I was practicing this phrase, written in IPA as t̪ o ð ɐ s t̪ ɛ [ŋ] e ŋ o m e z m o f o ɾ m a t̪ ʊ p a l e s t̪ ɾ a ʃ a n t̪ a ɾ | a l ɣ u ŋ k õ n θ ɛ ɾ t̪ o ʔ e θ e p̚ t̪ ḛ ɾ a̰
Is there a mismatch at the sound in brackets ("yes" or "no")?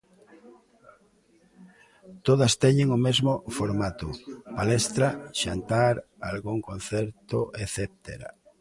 yes